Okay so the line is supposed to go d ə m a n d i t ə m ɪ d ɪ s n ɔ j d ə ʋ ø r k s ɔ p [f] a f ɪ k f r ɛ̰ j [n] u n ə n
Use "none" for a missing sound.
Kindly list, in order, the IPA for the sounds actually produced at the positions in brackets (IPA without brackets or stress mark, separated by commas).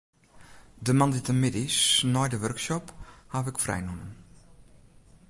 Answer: h, n